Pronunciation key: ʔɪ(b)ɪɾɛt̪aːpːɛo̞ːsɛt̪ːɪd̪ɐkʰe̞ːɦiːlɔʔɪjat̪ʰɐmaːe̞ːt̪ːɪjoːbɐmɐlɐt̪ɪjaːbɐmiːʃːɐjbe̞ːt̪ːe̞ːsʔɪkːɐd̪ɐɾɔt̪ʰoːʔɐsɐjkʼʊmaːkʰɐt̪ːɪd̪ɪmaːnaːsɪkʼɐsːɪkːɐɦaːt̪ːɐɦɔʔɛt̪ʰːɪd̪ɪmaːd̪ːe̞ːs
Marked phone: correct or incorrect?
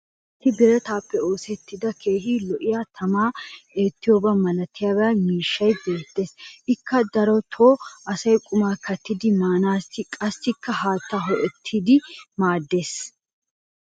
correct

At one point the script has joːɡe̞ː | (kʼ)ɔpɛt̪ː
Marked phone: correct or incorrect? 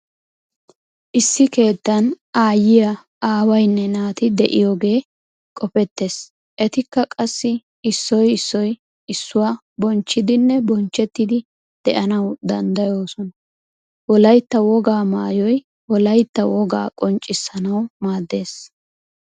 correct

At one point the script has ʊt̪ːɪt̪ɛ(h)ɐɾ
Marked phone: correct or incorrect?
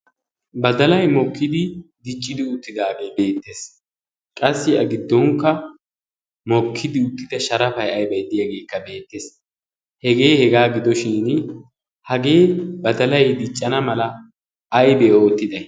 incorrect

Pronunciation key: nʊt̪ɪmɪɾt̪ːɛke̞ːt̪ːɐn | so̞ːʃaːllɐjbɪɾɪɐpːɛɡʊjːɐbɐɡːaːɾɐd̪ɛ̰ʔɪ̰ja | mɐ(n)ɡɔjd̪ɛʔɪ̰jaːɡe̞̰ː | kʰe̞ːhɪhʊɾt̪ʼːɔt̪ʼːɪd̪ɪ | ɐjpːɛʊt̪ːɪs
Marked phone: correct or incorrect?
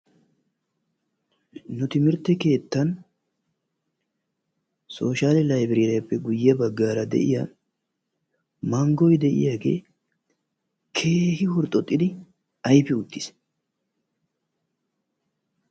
incorrect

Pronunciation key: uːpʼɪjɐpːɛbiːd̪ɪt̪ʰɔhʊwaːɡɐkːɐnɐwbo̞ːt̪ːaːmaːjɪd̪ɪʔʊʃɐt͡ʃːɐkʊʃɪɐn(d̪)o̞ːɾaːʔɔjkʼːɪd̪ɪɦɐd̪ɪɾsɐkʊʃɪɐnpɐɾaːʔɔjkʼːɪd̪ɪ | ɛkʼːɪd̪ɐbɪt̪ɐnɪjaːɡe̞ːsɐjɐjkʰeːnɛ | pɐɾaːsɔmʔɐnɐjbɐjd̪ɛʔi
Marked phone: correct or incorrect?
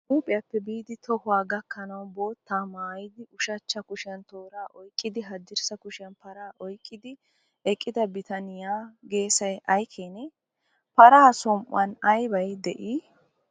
incorrect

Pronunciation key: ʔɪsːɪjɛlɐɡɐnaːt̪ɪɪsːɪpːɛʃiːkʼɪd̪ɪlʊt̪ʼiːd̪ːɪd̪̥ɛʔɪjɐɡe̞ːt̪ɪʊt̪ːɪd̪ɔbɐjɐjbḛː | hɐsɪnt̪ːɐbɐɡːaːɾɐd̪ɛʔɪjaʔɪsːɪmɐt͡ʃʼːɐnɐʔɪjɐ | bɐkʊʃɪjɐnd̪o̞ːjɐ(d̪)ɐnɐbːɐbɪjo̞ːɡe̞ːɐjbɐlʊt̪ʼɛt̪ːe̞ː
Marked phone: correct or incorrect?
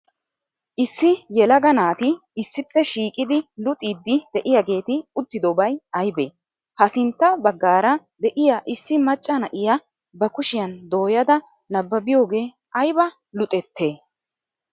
correct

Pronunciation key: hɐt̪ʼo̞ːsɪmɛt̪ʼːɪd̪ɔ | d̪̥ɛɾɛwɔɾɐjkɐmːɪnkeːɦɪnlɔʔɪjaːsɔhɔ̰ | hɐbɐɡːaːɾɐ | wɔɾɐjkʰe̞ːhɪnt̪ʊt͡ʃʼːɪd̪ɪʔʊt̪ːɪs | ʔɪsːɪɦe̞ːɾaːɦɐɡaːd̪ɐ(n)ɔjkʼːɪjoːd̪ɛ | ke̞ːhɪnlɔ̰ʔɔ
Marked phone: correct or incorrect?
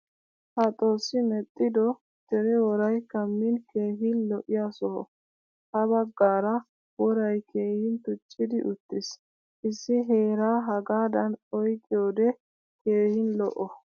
correct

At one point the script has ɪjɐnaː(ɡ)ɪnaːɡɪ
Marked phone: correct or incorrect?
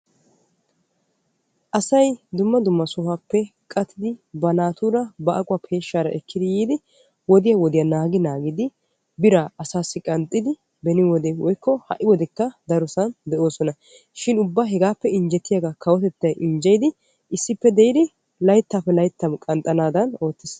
correct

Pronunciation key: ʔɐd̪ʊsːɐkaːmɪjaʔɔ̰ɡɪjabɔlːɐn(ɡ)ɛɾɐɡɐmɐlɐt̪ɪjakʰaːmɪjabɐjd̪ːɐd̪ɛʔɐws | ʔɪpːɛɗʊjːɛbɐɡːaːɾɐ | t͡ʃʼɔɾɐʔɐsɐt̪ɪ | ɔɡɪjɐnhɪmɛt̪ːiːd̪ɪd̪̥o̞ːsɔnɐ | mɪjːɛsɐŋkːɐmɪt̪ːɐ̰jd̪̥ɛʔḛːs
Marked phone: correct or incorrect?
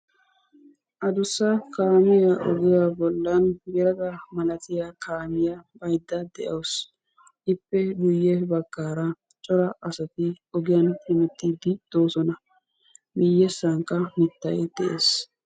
correct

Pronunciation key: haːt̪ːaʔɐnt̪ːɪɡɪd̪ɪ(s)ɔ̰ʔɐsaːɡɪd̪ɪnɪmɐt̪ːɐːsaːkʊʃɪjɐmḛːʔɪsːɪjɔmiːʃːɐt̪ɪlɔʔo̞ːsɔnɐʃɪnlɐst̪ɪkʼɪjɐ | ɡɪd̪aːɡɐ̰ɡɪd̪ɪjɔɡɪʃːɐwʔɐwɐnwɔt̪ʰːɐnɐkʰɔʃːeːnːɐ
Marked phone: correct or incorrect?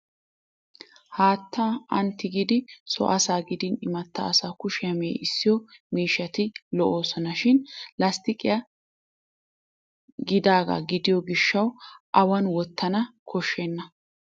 correct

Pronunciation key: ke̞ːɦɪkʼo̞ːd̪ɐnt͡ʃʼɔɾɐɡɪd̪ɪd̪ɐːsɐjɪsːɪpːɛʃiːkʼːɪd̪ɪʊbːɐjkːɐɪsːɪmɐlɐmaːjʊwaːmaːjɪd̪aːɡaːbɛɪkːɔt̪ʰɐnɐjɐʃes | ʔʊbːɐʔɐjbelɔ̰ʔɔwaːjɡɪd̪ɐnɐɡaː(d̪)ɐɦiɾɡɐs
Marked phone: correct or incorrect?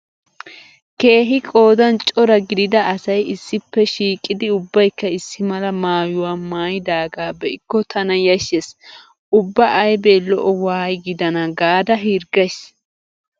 correct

